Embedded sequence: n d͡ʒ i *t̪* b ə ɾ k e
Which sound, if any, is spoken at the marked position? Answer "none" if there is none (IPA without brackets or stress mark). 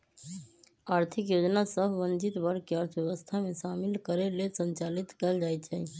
t̪